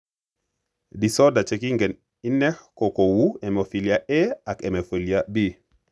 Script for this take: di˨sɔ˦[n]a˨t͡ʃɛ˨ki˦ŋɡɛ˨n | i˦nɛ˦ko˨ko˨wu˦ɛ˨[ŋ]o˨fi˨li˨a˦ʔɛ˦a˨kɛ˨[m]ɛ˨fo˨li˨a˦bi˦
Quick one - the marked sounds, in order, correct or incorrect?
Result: incorrect, incorrect, correct

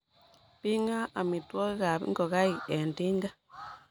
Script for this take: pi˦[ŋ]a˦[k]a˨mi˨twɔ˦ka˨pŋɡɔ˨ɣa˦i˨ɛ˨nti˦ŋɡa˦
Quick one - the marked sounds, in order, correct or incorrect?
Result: correct, incorrect

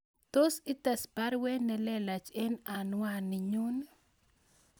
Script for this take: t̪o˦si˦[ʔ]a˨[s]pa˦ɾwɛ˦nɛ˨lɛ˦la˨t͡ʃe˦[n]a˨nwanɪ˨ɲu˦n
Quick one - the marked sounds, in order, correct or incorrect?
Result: incorrect, correct, correct

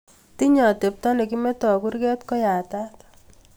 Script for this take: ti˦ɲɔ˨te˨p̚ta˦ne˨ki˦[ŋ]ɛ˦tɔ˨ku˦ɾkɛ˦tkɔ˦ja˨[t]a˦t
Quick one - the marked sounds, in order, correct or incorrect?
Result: incorrect, correct

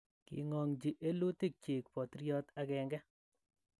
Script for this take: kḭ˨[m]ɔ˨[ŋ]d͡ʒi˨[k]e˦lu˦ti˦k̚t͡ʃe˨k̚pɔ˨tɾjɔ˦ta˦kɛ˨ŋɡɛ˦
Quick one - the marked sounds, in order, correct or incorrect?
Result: incorrect, correct, incorrect

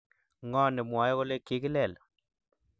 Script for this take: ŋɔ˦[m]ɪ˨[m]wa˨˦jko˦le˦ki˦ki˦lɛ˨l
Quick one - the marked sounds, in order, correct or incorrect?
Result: incorrect, correct

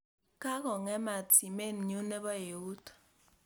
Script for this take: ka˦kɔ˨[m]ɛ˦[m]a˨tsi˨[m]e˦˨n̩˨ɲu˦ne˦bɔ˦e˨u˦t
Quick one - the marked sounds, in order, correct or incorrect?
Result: incorrect, correct, correct

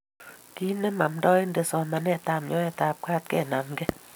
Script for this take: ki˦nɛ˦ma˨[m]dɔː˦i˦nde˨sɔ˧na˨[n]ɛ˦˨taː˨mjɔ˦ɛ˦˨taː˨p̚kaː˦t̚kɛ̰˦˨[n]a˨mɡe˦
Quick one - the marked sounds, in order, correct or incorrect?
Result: correct, correct, correct

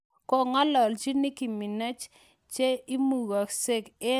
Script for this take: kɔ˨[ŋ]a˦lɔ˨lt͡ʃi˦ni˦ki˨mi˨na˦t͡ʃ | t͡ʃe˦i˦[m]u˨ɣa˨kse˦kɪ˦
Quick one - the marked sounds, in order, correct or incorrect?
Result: correct, correct

